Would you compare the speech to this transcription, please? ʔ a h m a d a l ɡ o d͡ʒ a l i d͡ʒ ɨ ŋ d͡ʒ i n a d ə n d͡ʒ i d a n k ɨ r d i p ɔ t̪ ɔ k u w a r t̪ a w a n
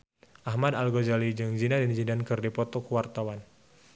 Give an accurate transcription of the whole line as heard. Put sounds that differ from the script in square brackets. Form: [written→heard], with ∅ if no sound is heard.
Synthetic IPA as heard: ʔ a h m a d a l ɡ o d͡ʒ a l i d͡ʒ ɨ ŋ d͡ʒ i n a d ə n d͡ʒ i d a n k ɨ r d i p ɔ t̪ ɔ k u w a r t̪ a w a n